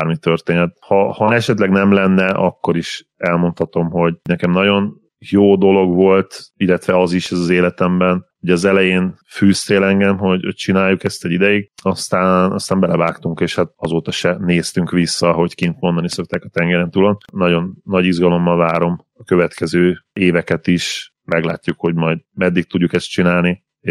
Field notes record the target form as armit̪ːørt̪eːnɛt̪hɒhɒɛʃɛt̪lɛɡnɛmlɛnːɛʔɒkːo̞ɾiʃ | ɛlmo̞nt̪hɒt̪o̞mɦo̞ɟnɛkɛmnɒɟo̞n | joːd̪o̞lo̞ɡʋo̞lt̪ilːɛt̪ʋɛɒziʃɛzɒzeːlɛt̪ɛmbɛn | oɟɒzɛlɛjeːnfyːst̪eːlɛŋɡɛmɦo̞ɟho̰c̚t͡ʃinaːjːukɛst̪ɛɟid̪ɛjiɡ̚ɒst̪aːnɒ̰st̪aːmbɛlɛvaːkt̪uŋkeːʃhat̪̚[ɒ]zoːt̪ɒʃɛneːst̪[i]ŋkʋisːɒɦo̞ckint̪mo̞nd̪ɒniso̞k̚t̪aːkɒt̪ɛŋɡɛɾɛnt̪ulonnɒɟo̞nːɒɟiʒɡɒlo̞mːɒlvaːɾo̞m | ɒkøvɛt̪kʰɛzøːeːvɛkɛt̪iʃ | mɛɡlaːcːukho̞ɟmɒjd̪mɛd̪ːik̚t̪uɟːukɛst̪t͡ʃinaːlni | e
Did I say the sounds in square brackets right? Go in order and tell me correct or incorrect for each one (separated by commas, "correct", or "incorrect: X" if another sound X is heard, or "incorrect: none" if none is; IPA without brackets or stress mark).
correct, incorrect: y